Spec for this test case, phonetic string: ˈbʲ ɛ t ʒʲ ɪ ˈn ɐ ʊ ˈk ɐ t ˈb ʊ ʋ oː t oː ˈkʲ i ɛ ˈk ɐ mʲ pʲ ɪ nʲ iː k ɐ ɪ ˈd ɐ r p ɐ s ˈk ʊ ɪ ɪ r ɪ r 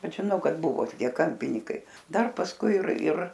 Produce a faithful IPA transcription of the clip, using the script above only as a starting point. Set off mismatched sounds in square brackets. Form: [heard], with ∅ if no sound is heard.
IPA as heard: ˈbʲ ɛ t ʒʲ ɪ ˈn ɐ ʊ ˈk ɐ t ˈb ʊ ʋ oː t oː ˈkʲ i ɛ ˈk ɐ mʲ pʲ ɪ nʲ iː k ɐ ɪ ˈd ɐ r p ɐ s ˈk ʊ ɪ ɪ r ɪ r

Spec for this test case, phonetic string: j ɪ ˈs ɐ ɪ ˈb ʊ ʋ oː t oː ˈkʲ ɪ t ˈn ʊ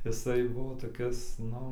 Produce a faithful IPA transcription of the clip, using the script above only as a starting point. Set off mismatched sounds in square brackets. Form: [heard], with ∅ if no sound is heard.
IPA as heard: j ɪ ˈs ɐ ɪ ˈb ʊ ʋ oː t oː ˈkʲ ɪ [s] ˈn ʊ

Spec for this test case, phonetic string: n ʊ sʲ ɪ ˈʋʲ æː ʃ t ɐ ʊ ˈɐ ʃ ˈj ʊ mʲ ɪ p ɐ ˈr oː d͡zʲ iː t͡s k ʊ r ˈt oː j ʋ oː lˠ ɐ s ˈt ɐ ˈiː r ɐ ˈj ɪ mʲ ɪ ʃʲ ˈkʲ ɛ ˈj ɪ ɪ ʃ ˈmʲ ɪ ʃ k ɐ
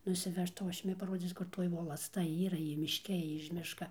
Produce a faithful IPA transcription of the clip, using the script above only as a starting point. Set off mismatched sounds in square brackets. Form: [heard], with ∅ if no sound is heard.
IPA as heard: n ʊ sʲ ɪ ˈʋʲ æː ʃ t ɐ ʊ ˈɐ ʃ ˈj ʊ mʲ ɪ p ɐ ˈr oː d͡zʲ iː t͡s k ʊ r ˈt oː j ʋ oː lˠ ɐ s ˈt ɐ ˈiː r ɐ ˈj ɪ mʲ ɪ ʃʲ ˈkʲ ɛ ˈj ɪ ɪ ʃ ˈmʲ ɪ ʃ k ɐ

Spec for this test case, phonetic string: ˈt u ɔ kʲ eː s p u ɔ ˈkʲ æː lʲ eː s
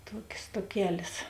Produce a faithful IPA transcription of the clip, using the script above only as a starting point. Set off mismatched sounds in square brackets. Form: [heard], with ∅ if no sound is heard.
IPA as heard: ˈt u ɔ kʲ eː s [t] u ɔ ˈkʲ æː lʲ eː s

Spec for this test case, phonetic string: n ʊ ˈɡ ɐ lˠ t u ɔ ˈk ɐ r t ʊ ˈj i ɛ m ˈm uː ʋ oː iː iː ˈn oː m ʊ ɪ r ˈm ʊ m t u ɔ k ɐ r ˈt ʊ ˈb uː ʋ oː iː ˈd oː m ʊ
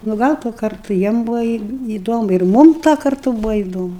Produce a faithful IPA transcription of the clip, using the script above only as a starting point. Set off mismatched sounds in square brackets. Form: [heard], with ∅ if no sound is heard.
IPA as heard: n ʊ ˈɡ ɐ lˠ t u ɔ ˈk ɐ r t ʊ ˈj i ɛ m [ˈb] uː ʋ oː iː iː [ˈd] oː m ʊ ɪ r ˈm ʊ m t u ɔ k ɐ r ˈt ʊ ˈb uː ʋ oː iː ˈd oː m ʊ

